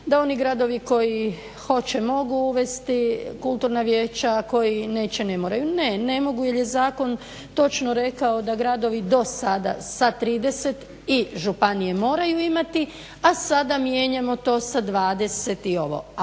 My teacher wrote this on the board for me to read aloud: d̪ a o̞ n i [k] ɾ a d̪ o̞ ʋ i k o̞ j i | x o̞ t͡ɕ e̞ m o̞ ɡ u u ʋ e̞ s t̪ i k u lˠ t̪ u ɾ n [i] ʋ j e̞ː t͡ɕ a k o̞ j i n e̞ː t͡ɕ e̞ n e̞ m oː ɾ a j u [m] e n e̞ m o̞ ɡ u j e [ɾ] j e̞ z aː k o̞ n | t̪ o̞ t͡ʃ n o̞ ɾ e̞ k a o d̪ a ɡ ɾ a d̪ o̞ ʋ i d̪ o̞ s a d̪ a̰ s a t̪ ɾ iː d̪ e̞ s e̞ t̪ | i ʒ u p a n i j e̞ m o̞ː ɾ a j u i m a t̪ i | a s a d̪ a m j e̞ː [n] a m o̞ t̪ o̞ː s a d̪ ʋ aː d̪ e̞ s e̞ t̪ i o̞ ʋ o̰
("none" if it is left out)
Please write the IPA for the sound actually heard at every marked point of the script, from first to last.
ɡ, a, n, l, ɲ

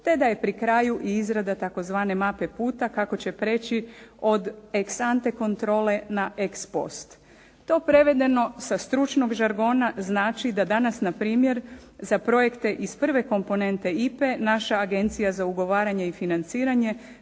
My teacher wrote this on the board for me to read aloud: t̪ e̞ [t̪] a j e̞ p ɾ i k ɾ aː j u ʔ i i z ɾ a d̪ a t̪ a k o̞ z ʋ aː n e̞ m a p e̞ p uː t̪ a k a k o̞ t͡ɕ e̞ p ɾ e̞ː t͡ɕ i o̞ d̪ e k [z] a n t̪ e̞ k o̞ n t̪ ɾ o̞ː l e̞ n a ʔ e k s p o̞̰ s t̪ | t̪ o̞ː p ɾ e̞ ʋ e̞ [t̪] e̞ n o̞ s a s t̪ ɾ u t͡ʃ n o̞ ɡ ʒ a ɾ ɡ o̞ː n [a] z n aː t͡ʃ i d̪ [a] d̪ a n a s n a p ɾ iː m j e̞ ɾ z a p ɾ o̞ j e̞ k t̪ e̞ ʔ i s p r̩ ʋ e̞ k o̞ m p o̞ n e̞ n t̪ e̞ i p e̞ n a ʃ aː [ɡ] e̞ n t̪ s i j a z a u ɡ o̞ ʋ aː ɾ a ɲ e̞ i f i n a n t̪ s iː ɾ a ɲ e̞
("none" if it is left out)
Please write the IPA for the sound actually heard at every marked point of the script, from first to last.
d̪, s, d̪, a, a, ɡ

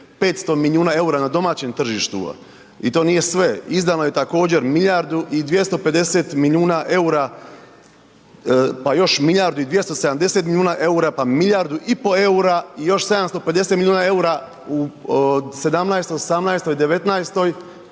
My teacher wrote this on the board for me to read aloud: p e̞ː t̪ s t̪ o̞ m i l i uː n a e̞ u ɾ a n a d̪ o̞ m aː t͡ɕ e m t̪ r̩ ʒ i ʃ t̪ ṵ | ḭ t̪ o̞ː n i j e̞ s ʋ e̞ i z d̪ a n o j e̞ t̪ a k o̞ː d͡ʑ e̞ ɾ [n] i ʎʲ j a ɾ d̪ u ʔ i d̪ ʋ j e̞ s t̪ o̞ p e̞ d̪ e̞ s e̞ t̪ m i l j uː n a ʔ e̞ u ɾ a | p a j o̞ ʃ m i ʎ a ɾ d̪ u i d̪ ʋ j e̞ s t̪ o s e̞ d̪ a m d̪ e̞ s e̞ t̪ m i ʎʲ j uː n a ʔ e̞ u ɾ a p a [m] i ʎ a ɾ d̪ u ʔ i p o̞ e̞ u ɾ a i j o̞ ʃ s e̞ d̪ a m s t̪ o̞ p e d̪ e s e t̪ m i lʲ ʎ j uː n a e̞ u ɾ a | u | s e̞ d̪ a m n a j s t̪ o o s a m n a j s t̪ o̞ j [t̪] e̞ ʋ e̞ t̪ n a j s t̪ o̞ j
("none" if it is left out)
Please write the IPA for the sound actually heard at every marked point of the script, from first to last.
m, m, d̪

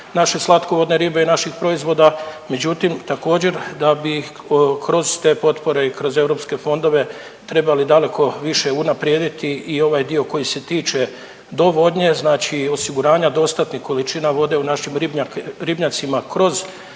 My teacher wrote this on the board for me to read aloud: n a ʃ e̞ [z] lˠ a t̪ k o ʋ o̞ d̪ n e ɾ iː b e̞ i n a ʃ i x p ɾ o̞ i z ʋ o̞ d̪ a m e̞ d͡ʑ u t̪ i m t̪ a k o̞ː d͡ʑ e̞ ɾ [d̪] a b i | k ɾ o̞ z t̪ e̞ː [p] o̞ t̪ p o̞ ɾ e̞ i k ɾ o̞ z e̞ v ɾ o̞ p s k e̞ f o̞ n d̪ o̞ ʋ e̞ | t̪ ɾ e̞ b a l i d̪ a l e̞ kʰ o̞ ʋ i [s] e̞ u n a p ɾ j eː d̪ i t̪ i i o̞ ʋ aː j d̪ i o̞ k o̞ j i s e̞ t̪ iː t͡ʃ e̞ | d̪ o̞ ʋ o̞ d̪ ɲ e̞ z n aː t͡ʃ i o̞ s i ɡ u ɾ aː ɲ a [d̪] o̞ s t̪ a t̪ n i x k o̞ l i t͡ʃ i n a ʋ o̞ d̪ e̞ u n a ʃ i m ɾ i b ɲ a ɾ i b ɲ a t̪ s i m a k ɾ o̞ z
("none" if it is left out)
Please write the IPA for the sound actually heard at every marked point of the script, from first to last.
s, d̪, p, ʃ, d̪

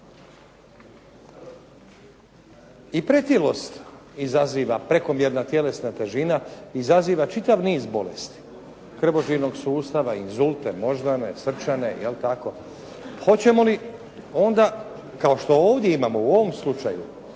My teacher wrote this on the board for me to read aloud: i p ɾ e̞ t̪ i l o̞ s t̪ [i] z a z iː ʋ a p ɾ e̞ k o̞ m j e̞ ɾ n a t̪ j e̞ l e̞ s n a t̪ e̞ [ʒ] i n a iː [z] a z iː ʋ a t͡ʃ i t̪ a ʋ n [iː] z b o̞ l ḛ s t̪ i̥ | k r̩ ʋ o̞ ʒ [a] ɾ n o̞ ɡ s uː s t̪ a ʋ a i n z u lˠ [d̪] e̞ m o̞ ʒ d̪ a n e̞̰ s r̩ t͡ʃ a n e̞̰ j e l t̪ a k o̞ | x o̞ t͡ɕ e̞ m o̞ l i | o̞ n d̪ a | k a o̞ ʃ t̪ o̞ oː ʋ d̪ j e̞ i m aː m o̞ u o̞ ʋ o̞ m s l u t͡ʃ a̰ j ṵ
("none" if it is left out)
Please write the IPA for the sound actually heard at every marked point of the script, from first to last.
i, ʒ, z, iː, i, t̪

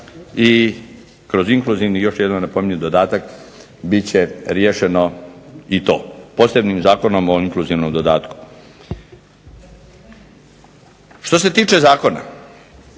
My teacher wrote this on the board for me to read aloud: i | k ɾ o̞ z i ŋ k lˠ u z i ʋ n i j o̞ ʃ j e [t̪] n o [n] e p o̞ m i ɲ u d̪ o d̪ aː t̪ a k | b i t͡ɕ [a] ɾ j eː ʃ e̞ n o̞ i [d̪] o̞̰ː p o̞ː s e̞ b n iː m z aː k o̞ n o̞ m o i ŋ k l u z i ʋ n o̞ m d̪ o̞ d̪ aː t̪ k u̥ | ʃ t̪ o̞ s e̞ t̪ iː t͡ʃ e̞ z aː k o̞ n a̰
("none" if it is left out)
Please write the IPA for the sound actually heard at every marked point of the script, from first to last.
d̪, n, e, t̪

